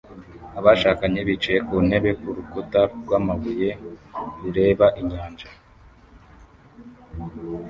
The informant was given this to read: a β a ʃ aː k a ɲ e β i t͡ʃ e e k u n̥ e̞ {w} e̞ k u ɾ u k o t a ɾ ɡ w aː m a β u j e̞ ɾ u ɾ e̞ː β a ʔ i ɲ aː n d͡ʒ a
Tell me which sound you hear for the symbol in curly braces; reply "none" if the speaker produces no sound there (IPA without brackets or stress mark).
β